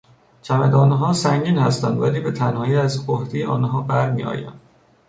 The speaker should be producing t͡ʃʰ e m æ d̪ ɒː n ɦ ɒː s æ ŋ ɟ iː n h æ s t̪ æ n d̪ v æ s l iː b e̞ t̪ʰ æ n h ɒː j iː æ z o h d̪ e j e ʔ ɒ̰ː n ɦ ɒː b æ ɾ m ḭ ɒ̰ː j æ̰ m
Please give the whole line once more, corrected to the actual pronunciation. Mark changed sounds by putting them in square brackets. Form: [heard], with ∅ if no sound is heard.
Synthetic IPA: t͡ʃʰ [æ] m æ d̪ ɒː n ɦ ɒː s æ ŋ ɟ iː n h æ s t̪ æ n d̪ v æ [∅] l iː b e̞ t̪ʰ æ n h ɒː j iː æ z o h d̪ e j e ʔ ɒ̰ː n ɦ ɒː b æ ɾ m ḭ ɒ̰ː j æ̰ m